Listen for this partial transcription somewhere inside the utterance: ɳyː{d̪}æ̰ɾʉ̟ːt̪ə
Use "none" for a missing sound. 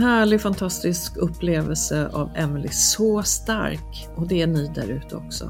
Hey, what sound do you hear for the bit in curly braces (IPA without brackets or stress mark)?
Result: d̪